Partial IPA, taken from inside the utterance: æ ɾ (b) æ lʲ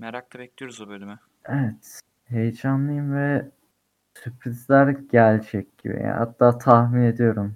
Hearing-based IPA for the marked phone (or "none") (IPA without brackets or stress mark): ɟ